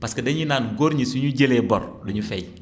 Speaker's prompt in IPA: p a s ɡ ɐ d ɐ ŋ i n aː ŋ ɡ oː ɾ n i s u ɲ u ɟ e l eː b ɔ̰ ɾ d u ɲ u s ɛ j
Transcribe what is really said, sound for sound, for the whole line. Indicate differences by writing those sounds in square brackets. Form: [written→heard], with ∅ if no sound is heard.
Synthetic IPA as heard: p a s [ɡ→k] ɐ d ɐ [ŋ→ɲ] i n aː [ŋ→n] ɡ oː ɾ [n→ɲ] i s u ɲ u ɟ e l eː b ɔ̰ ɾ d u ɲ u [s→f] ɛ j